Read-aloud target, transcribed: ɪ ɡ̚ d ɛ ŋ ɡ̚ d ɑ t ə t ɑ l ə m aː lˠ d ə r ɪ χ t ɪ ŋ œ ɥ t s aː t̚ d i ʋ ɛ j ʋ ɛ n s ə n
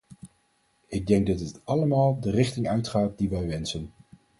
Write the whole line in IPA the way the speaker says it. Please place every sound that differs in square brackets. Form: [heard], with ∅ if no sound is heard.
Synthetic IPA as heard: ɪ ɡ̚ d ɛ ŋ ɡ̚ d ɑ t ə t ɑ l ə m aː lˠ d ə r ɪ χ t ɪ ŋ œ ɥ t [χ] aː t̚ d i ʋ ɛ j ʋ ɛ n s ə n